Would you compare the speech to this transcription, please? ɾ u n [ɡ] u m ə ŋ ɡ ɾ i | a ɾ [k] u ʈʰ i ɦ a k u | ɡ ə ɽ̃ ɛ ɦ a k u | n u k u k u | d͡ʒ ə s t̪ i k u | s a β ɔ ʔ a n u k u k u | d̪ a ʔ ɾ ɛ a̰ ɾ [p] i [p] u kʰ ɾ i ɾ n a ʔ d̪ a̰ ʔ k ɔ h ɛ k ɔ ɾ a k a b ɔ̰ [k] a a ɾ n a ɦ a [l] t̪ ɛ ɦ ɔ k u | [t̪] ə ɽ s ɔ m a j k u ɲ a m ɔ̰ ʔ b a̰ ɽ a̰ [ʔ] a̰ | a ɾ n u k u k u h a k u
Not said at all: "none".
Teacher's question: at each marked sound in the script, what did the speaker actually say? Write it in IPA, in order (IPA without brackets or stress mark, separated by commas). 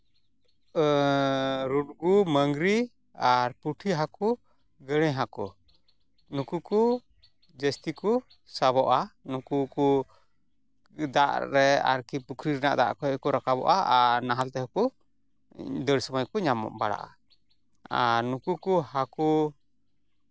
ɡ, p, k, p, ʔ, l, d̪, ʔ